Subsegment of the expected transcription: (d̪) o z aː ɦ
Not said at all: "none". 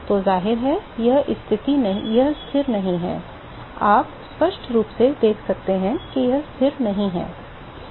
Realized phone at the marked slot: t̪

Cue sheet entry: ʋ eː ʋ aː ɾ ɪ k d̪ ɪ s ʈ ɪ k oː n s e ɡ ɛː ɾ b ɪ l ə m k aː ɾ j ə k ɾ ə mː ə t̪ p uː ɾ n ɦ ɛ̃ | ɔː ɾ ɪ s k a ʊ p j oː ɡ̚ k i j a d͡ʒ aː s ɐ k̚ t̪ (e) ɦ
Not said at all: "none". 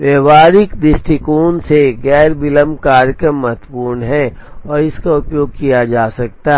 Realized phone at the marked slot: a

